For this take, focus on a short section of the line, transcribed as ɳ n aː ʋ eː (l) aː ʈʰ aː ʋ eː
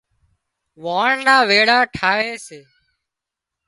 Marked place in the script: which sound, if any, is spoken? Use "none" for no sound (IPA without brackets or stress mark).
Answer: ɽ